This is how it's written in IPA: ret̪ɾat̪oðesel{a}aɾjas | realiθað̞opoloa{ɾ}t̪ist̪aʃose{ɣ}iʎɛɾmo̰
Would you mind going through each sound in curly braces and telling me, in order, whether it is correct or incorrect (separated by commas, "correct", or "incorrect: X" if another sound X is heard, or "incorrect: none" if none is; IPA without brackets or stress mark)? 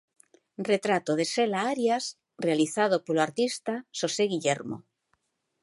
correct, correct, correct